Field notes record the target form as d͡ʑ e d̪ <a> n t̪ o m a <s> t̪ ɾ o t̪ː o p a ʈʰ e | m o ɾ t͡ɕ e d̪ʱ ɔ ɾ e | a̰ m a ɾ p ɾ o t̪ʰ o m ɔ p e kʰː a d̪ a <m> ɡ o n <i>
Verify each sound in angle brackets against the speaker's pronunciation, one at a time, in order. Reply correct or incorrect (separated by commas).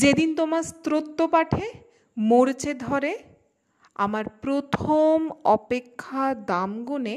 incorrect, correct, correct, incorrect